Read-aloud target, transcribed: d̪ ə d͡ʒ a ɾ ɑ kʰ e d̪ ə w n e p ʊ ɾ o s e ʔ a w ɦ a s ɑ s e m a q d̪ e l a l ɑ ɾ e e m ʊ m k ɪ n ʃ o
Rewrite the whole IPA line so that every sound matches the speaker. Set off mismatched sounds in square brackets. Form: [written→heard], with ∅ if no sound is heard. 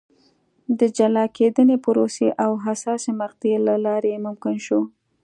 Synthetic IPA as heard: d̪ ə d͡ʒ a [ɾ→l] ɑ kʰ e d̪ ə [w→∅] n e p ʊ ɾ o s e ʔ a w ɦ a s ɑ s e m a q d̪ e l a l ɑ ɾ e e m ʊ m k ɪ n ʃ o